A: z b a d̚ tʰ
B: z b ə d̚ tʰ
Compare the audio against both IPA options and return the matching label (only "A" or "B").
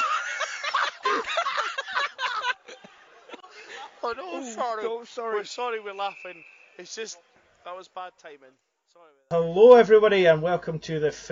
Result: A